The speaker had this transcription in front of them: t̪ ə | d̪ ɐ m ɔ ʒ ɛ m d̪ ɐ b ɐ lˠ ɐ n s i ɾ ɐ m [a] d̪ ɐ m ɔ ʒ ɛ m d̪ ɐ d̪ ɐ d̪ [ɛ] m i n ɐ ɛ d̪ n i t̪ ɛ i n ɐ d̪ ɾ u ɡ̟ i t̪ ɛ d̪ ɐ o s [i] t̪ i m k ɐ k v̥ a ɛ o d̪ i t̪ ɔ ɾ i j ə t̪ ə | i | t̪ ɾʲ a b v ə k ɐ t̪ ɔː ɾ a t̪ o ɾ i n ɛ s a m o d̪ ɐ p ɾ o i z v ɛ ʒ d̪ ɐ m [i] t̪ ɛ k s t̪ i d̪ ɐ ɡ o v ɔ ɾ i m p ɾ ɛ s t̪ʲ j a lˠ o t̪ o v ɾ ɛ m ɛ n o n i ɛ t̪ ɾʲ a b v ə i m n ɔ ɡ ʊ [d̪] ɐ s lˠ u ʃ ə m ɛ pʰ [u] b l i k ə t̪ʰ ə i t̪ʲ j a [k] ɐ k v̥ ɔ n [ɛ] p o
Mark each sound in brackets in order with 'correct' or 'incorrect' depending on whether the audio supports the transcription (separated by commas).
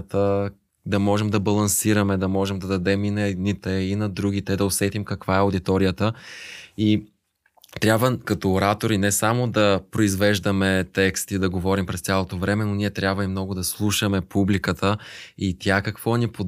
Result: incorrect, correct, incorrect, incorrect, correct, correct, correct, incorrect